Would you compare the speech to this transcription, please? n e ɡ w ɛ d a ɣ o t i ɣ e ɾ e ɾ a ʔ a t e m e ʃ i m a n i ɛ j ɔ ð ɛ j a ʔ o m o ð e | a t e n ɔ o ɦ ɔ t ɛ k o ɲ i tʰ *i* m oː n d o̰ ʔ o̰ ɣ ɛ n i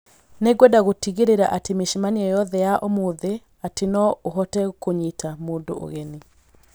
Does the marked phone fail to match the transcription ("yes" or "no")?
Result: yes